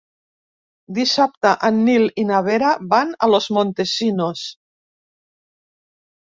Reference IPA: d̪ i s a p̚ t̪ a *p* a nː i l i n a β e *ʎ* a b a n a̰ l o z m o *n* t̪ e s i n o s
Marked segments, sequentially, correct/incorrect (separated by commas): incorrect, incorrect, correct